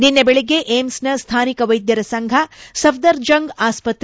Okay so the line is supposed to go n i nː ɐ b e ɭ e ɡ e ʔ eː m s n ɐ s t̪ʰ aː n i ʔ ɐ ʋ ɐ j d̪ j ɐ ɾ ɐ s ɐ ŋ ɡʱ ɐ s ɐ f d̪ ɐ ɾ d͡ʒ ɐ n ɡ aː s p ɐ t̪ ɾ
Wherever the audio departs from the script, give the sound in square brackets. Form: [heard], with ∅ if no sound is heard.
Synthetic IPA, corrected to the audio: n i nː ɐ b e ɭ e ɡ e ʔ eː m s n ɐ s t̪ʰ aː n i [k] ɐ ʋ ɐ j d̪ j ɐ ɾ ɐ s ɐ ŋ ɡʱ ɐ s ɐ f d̪ ɐ ɾ d͡ʒ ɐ [ŋ] ɡ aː s p ɐ t̪ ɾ